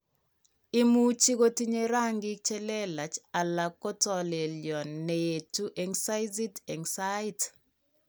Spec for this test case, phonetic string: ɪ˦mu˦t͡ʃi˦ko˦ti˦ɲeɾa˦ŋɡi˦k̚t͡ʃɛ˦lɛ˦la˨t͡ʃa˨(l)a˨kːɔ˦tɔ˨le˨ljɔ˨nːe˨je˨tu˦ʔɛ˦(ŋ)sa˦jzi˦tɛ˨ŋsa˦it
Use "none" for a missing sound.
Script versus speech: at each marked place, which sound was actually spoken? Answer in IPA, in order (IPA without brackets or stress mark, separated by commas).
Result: l, ŋ